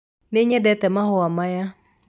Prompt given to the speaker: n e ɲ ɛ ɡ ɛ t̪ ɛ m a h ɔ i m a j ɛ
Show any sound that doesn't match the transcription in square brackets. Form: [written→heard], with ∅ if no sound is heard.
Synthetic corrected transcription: n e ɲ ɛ [ɡ→d] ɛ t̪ ɛ m a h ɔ [i→a] m a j [ɛ→a]